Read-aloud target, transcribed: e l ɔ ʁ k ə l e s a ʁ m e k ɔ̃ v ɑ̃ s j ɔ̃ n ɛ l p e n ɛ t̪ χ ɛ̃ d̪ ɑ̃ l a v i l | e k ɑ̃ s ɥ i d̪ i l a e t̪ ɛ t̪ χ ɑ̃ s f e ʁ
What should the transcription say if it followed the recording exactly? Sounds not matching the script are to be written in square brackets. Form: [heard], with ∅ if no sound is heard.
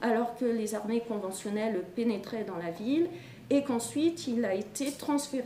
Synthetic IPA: [a] l ɔ ʁ k ə l e [z] a ʁ m e k ɔ̃ v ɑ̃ s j [ɔ] n ɛ l p e n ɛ t̪ χ [ɛ] d̪ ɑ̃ l a v i l | e k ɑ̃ s ɥ i [t̪] i l a e t̪ [e] t̪ χ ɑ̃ s f e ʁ